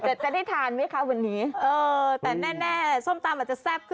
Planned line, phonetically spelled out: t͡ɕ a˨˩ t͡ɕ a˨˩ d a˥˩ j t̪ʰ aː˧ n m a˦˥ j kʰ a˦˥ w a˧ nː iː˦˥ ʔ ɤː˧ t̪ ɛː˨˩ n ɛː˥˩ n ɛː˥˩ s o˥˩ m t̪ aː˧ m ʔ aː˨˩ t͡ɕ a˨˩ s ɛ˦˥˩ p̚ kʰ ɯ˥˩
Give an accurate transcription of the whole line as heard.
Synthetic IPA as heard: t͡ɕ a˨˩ t͡ɕ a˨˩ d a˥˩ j t̪ʰ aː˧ n m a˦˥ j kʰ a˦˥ w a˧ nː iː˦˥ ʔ ɤː˧ t̪ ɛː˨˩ n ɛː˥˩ n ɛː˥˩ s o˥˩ m t̪ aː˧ m ʔ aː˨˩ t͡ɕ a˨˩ s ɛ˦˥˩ p̚ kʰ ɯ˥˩

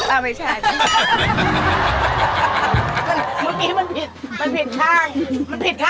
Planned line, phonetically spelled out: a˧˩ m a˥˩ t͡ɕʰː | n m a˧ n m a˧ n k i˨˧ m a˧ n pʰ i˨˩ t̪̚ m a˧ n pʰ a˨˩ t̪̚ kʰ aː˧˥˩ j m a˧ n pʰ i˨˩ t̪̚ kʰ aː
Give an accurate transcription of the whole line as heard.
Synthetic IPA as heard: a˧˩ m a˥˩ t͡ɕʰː | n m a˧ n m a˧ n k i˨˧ m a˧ n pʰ i˨˩ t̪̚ m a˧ n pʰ i˨˩ t̪̚ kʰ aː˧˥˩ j m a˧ n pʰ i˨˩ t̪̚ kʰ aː

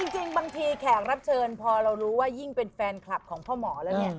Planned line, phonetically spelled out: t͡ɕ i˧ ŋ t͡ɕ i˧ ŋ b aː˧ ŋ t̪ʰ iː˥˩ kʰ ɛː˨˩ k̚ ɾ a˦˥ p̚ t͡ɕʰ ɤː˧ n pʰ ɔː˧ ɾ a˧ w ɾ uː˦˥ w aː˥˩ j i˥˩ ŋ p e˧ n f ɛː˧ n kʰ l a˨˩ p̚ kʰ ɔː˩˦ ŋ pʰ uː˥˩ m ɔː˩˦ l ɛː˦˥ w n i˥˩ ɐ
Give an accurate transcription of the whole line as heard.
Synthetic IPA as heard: t͡ɕ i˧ ŋ t͡ɕ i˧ ŋ b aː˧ ŋ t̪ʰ iː˧ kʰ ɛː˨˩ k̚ ɾ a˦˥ p̚ t͡ɕʰ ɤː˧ n pʰ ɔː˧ ɾ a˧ w ɾ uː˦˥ w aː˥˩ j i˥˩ ŋ p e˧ n f ɛː˧ n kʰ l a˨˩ p̚ kʰ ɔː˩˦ ŋ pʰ ɔː˥˩ m ɔː˩˦ l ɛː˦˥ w n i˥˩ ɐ

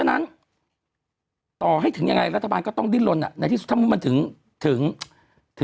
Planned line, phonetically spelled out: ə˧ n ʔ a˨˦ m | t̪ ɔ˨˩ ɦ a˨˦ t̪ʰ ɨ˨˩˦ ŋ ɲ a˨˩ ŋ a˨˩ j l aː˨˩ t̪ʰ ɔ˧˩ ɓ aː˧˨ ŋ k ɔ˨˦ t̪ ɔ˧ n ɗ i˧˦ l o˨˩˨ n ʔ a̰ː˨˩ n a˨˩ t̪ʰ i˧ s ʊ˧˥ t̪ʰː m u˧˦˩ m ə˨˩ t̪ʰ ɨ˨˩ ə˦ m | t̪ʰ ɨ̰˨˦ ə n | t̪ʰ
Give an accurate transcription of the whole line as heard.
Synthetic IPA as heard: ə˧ n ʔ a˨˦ n | t̪ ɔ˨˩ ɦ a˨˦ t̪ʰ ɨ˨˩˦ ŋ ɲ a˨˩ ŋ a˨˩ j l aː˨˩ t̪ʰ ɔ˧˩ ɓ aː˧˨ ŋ k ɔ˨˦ t̪ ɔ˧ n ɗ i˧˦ l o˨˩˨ n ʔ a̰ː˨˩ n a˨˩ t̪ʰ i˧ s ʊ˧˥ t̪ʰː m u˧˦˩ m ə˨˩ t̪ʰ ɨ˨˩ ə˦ ŋ | t̪ʰ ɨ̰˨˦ ə ŋ | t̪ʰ

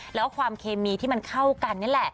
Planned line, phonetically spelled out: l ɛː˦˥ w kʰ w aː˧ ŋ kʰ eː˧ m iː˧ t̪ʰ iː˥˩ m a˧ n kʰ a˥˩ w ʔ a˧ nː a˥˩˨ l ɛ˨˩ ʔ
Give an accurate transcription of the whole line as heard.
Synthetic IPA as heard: l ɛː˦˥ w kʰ w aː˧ m kʰ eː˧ m iː˧ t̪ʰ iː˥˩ m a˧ n kʰ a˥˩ w k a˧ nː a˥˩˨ l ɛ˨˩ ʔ

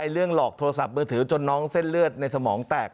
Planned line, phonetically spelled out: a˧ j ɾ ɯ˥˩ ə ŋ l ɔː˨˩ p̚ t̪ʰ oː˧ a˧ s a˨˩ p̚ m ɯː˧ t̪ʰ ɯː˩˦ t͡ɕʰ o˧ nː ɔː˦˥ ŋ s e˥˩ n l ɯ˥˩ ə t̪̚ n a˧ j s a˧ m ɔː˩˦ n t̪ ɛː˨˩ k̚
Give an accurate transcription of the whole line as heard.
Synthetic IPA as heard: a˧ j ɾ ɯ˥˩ ə ŋ l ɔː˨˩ k̚ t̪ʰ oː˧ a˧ s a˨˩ p̚ m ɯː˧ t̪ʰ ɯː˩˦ t͡ɕ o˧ nː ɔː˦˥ ŋ s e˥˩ n l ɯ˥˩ ə t̪̚ n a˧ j s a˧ m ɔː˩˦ ŋ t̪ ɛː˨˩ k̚

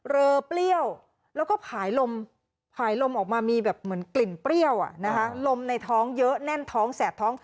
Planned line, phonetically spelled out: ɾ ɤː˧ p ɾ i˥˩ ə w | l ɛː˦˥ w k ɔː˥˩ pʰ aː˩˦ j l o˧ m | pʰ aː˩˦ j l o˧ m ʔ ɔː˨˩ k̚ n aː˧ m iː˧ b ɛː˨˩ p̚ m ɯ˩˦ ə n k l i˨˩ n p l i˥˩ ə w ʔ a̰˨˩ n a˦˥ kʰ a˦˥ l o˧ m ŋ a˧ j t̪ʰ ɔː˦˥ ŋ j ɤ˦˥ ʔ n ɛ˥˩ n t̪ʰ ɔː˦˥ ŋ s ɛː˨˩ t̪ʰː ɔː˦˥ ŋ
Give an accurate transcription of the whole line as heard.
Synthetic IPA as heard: ɾ ɤː˧ p l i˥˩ ə w | l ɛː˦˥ w k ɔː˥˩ pʰ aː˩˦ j l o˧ m | pʰ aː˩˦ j l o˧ m ʔ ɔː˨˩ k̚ m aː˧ m iː˧ b ɛː˨˩ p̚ m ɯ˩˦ ə n k l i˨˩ n p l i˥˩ ə w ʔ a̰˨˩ n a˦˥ kʰ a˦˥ l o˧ m n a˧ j t̪ʰ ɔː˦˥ ŋ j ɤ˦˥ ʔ n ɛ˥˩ n t̪ʰ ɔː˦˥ ŋ s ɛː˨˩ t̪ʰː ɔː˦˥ ŋ

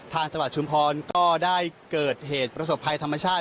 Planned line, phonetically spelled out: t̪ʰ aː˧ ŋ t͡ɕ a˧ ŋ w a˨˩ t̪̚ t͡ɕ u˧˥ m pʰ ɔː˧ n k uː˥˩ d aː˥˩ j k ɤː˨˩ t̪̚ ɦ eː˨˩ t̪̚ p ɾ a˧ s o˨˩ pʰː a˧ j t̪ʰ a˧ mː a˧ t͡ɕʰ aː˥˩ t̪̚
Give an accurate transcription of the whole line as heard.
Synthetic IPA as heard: t̪ʰ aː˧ ŋ t͡ɕ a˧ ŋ w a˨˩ t̪̚ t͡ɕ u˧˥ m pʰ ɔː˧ n k ɔː˥˩ d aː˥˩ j k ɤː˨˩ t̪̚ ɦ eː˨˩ t̪̚ p ɾ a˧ s o˨˩ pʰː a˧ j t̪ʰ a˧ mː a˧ t͡ɕʰ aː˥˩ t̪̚

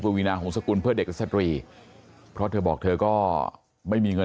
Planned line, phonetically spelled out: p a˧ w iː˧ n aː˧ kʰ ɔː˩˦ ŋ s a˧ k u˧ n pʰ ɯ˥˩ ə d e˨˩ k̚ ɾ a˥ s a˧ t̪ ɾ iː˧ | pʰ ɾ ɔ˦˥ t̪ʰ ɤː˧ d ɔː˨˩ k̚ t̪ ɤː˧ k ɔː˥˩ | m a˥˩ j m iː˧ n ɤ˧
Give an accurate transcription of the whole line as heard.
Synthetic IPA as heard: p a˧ w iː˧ n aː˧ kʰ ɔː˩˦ ŋ s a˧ k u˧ n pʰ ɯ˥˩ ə d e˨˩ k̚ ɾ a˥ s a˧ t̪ ɾ iː˧ | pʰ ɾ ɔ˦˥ t̪ʰ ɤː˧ b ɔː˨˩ k̚ t̪ʰ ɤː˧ k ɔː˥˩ | m a˥˩ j m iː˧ ŋ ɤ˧

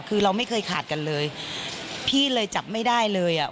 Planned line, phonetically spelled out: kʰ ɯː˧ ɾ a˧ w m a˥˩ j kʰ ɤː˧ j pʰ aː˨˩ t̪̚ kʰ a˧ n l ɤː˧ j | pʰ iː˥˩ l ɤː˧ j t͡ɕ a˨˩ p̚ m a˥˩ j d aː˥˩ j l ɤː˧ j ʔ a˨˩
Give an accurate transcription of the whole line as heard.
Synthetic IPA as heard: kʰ ɯː˧ ɾ a˧ w m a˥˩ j kʰ ɤː˧ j kʰ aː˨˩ t̪̚ k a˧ n l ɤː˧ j | pʰ iː˥˩ l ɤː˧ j t͡ɕ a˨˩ p̚ m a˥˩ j d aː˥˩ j l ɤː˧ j ʔ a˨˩

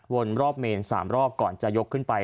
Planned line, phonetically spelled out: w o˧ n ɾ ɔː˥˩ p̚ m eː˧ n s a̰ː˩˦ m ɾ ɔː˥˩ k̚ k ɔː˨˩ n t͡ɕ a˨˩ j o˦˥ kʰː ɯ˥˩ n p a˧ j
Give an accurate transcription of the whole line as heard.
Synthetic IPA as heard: w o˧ n ɾ ɔː˥˩ p̚ m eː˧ n s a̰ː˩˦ m ɾ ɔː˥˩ p̚ k ɔː˨˩ n t͡ɕ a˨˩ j o˦˥ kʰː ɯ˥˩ n p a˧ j

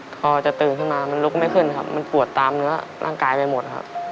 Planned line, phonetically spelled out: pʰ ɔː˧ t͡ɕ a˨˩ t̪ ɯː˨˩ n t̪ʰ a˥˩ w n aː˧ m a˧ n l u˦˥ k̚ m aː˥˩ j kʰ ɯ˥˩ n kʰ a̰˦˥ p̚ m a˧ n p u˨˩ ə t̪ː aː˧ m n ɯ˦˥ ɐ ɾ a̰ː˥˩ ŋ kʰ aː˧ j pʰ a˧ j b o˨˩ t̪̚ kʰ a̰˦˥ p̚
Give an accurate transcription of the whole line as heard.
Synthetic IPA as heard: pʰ ɔː˧ t͡ɕ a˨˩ t̪ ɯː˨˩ n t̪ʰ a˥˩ w n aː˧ m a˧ n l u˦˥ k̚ m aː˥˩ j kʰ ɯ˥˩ n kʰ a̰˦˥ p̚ m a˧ n p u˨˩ ə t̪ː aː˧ m n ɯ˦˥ ɐ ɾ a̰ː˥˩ ŋ k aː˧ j p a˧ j m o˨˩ t̪̚ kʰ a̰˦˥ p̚

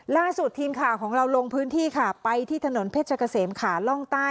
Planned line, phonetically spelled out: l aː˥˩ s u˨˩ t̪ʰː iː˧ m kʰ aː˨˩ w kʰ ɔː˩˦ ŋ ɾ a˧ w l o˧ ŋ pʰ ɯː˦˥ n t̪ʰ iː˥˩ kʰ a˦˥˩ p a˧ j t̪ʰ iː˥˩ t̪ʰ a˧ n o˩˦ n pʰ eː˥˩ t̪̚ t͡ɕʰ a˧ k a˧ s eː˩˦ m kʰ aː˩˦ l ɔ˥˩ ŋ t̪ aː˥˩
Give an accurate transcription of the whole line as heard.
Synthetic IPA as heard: l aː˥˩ s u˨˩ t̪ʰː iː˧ m kʰ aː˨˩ w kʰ ɔː˩˦ ŋ ɾ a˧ w l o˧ ŋ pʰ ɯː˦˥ n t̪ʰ iː˥˩ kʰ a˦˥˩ p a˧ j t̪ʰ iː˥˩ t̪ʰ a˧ n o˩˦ n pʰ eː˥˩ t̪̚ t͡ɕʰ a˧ k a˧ s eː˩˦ m kʰ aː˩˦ l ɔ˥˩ ŋ t̪ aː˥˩

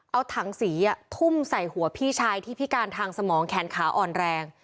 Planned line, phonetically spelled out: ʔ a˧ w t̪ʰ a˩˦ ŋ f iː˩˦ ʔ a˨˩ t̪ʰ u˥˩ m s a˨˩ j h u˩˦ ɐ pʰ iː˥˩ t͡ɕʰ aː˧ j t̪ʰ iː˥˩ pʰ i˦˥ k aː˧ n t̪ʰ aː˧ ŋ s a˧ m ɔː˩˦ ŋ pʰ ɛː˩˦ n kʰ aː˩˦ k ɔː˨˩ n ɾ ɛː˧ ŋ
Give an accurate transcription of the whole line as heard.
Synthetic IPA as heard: ʔ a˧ w t̪ʰ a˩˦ ŋ s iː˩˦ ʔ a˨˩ t̪ʰ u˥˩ m s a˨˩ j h u˩˦ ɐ pʰ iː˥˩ t͡ɕʰ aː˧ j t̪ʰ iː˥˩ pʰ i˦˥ k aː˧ n t̪ʰ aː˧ ŋ s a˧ m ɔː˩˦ ŋ kʰ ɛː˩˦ n kʰ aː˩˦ ʔ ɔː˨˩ n ɾ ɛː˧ ŋ

